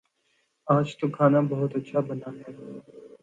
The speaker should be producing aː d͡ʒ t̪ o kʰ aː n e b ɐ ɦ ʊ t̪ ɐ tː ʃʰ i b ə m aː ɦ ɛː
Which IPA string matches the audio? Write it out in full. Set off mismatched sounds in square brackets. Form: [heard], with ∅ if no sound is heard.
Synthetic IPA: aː d͡ʒ t̪ o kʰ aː n [a] b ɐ ɦ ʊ t̪ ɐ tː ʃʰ [a] b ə [n] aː ɦ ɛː